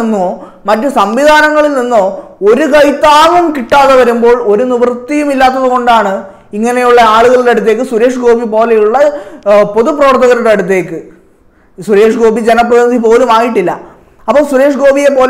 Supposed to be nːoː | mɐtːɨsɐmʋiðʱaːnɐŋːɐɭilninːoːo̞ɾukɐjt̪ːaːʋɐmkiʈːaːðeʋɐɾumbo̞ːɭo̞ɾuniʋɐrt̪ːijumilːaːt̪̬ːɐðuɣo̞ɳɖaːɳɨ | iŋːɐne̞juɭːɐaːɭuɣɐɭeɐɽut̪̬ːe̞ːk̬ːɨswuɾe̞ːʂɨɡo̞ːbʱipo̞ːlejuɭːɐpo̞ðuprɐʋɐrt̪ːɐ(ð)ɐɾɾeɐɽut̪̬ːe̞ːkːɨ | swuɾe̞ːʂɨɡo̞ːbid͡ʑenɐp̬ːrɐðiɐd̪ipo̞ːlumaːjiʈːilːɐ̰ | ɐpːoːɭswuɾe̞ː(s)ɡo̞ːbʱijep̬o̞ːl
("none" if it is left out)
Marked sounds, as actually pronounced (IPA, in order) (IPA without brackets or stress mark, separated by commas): ɣ, ʂ